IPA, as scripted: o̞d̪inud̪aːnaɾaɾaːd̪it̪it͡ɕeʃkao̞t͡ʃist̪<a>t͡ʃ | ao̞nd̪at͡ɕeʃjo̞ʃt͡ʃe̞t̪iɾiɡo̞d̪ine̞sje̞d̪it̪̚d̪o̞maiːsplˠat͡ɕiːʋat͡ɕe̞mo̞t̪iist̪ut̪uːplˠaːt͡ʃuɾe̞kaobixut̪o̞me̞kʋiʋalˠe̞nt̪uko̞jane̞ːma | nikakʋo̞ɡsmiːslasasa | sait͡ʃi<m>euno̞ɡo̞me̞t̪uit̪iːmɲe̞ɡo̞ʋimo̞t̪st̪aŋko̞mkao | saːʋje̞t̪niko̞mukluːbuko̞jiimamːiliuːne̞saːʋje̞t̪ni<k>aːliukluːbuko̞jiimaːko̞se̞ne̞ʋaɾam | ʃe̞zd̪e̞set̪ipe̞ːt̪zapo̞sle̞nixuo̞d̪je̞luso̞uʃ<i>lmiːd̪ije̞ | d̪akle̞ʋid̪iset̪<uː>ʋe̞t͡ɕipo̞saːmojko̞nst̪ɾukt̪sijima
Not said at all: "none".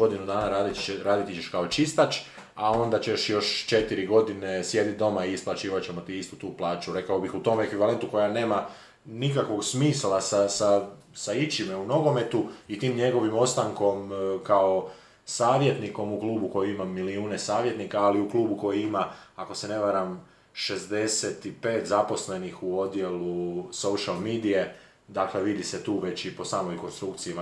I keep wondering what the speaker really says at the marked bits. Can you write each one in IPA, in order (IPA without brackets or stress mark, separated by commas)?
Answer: a, m, k, a, uː